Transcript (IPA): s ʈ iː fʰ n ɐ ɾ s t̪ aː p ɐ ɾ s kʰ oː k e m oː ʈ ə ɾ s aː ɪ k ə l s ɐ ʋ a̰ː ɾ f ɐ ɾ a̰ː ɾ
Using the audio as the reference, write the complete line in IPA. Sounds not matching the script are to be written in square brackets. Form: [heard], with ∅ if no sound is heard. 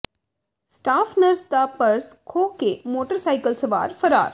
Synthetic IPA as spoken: s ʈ [aː] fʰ n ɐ ɾ s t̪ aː p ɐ ɾ s kʰ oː k e m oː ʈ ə ɾ s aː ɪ k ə l s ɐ ʋ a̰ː ɾ f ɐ ɾ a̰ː ɾ

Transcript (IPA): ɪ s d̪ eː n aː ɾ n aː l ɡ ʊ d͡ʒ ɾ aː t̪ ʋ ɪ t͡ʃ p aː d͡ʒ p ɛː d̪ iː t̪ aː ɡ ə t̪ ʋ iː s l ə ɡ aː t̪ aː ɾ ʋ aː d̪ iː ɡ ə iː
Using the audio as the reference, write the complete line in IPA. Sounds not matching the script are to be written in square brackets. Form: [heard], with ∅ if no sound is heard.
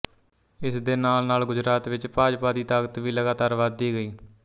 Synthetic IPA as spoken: ɪ s d̪ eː n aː [l] n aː l ɡ ʊ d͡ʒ ɾ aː t̪ ʋ ɪ t͡ʃ p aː d͡ʒ p [aː] d̪ iː t̪ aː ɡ ə t̪ ʋ iː [∅] l ə ɡ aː t̪ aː ɾ ʋ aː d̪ iː ɡ ə iː

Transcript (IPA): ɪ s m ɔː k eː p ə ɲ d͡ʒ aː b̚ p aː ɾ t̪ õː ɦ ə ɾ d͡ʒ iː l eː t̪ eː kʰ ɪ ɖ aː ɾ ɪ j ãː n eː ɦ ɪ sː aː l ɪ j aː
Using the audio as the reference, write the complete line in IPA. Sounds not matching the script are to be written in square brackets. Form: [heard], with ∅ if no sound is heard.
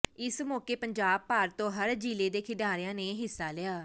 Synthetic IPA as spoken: ɪ s m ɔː k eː p ə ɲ d͡ʒ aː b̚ p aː ɾ t̪ õː ɦ ə ɾ d͡ʒ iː l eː [d̪] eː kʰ ɪ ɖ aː ɾ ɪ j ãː n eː ɦ ɪ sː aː l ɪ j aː

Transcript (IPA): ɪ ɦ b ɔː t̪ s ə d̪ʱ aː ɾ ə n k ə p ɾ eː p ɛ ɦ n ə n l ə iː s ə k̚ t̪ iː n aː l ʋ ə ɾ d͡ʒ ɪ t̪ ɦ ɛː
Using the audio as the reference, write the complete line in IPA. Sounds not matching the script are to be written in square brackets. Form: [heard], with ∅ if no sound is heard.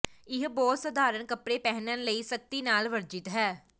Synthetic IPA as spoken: ɪ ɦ b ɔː t̪ s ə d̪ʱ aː ɾ ə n k ə p ɾ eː p ɛ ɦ n ə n l ə iː s ə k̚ t̪ iː n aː l ʋ ə ɾ d͡ʒ ɪ t̪ ɦ ɛː

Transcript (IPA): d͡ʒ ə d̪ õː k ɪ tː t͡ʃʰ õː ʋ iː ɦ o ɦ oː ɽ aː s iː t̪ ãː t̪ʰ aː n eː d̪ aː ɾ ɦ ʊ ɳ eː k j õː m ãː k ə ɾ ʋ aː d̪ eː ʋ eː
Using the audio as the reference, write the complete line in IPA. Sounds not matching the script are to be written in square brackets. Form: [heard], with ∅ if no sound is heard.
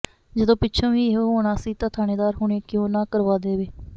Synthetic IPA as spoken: d͡ʒ ə d̪ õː [p] ɪ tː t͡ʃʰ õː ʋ iː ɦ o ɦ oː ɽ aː s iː t̪ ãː t̪ʰ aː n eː d̪ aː ɾ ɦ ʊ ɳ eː k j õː [n] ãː k ə ɾ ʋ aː d̪ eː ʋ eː

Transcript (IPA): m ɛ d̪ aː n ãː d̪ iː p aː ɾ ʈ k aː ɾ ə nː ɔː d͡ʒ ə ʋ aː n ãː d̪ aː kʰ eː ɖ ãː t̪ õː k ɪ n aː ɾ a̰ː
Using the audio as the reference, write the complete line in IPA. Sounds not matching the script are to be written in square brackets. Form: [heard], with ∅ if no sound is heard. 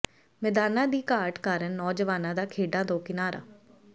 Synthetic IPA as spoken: m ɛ d̪ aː n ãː d̪ iː [k] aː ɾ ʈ k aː ɾ ə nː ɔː d͡ʒ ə ʋ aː n ãː d̪ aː kʰ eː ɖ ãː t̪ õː k ɪ n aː ɾ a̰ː

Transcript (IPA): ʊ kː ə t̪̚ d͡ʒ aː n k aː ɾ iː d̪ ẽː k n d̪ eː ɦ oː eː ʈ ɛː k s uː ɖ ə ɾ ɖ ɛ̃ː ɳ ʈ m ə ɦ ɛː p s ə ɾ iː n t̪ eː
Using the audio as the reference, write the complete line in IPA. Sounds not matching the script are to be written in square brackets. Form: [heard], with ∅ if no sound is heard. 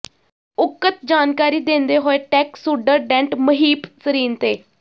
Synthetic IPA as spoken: ʊ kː ə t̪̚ d͡ʒ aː n k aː ɾ iː d̪ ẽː [∅] n d̪ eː ɦ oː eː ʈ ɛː k s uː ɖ ə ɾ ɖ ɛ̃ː ɳ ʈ m ə ɦ [iː] p s ə ɾ iː n t̪ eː

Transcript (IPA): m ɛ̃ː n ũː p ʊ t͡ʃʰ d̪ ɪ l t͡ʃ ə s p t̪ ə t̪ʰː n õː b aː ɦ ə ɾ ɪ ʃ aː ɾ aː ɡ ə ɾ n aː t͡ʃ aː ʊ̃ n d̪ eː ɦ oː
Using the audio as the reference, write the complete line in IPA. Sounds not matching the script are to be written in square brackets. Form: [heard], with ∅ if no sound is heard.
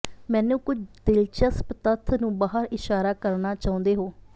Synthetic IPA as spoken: m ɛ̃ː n ũː [k] ʊ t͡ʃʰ d̪ ɪ l t͡ʃ ə s p t̪ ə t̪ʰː n [ũː] b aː ɦ ə ɾ ɪ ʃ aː ɾ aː [k] ə ɾ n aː t͡ʃ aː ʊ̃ n d̪ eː ɦ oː

